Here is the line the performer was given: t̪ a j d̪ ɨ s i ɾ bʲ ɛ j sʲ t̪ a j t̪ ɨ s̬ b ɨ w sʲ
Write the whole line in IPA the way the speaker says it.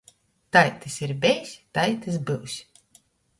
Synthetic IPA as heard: t̪ a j t̪ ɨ s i ɾ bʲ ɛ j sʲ t̪ a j t̪ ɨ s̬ b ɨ w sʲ